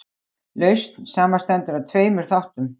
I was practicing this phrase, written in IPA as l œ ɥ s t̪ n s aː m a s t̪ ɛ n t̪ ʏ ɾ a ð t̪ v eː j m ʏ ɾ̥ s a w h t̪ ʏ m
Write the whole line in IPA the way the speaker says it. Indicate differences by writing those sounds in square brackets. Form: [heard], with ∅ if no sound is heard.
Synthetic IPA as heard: l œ ɥ s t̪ n s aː m a s t̪ ɛ n t̪ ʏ ɾ a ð [t̪ʰ] v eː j m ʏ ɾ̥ [θ] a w h t̪ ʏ m